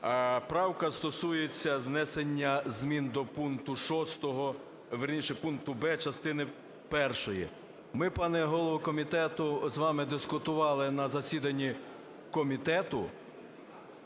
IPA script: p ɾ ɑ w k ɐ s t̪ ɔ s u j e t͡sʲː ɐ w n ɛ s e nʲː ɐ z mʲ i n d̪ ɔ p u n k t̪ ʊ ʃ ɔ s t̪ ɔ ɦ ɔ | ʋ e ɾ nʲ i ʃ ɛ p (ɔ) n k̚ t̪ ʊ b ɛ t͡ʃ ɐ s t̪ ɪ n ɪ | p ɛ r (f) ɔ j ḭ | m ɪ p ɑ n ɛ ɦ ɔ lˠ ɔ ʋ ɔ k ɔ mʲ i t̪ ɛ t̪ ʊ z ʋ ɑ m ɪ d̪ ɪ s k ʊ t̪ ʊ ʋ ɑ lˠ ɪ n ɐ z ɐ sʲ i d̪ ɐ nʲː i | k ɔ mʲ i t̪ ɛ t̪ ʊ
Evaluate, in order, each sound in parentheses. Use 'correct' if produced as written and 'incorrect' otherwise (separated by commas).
incorrect, incorrect